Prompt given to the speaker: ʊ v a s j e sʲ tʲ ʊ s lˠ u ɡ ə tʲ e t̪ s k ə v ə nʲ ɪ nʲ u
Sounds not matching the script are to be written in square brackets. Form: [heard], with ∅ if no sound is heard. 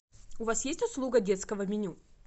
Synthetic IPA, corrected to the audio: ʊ v a s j e sʲ tʲ ʊ s lˠ u ɡ ə [dʲ] e t̪ s k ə v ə [mʲ] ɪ nʲ u